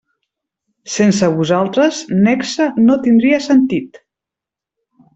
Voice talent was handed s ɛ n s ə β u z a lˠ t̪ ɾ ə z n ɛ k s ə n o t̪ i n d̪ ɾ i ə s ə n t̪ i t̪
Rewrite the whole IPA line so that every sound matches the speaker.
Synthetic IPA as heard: s e n s ə β u z a lˠ t̪ ɾ ə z n ɛ k s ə n o t̪ i n d̪ ɾ i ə s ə n t̪ i t̪